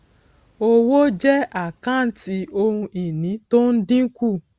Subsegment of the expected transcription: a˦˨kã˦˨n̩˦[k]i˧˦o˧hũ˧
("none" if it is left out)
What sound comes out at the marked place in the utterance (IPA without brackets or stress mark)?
t